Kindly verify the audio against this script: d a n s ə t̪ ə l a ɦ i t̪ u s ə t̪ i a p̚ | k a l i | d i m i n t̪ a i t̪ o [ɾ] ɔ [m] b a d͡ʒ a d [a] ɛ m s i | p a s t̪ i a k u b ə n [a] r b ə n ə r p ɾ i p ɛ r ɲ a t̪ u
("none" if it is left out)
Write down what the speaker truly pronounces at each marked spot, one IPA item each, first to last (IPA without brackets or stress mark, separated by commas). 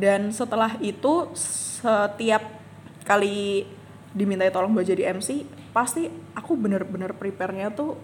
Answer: l, ŋ, i, ə